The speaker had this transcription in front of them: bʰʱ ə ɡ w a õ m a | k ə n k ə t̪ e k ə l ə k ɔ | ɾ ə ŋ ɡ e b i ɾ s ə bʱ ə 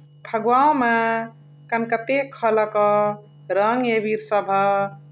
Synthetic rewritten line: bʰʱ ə ɡ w a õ m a | k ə n k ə t̪ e kʰ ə l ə k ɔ | ɾ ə ŋ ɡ e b i ɾ s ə bʱ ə